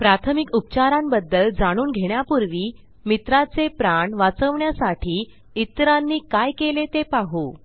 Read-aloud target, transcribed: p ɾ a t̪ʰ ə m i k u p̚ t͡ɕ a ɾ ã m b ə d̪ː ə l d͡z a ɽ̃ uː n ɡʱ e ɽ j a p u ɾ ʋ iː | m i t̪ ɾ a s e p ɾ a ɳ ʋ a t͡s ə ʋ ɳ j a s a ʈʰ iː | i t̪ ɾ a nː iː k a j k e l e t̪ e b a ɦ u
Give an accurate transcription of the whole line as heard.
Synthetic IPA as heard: p ɾ a t̪ʰ ə m i k u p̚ t͡ɕ a ɾ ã m b ə d̪ː ə l d͡z a ɽ̃ uː n ɡʱ e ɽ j a p u ɾ ʋ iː | m i t̪ ɾ a t͡s e p ɾ a ɳ ʋ a t͡s ə ʋ ɳ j a s a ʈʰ iː | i t̪ ɾ a nː iː k a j k e l e t̪ e p a ɦ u